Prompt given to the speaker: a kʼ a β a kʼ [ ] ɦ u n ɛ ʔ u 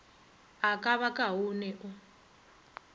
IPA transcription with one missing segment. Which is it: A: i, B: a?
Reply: B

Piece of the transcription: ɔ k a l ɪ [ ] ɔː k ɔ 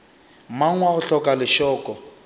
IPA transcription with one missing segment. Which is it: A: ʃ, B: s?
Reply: A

